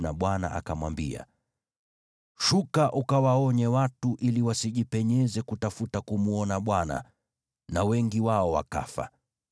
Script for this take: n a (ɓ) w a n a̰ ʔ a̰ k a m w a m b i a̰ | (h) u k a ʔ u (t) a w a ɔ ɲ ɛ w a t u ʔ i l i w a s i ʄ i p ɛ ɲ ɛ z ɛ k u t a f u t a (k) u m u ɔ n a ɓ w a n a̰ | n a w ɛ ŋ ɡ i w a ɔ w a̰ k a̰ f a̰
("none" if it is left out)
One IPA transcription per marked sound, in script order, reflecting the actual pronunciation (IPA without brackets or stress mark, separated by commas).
ɓ, ʃ, k, k